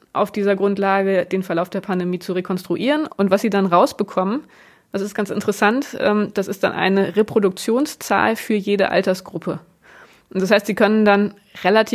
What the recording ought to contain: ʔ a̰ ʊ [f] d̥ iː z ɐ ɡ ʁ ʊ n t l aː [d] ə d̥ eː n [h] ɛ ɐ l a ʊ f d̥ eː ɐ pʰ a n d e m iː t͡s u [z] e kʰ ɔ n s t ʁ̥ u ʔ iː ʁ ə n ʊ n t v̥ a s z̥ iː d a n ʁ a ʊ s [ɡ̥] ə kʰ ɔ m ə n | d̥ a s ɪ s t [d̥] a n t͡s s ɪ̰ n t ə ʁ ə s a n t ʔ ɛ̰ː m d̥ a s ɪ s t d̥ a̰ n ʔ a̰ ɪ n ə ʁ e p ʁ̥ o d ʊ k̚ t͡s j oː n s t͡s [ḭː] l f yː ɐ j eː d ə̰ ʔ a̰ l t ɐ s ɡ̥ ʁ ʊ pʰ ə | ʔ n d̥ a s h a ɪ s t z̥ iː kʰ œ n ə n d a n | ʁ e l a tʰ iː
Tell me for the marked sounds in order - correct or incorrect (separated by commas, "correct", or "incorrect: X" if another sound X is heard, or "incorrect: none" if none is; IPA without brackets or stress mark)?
correct, incorrect: ɡ, incorrect: f, incorrect: ʁ, incorrect: b̥, incorrect: ɡ̥, incorrect: a̰ː